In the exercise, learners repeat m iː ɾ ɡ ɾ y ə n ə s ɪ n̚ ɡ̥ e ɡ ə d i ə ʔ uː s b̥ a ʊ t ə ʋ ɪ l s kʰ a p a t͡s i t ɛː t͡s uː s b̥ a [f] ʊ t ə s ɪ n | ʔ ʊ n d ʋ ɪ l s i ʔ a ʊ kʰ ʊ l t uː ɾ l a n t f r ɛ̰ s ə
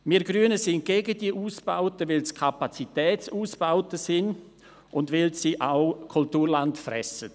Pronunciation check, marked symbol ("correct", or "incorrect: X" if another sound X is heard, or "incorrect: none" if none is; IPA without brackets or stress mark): incorrect: none